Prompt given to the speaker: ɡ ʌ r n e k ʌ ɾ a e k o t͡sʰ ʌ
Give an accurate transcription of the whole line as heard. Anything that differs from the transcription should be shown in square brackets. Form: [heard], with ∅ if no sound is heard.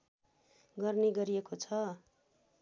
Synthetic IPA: ɡ ʌ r n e [ɡ] ʌ ɾ [i] e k o t͡sʰ ʌ